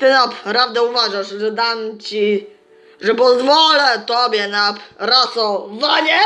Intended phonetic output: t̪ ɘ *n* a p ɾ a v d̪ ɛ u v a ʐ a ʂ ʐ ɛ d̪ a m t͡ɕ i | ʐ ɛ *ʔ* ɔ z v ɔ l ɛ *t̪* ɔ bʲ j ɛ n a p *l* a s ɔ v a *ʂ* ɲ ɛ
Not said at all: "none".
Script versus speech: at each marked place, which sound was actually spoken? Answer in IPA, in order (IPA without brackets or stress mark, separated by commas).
n, p, t̪, ɾ, none